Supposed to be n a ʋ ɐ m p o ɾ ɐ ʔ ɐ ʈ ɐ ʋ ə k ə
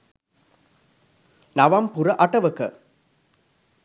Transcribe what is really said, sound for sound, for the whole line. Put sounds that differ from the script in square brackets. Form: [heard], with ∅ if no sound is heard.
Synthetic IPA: n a ʋ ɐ m p [u] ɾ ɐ ʔ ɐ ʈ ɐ ʋ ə k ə